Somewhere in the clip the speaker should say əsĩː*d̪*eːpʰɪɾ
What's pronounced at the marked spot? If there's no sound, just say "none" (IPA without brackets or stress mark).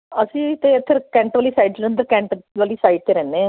t̪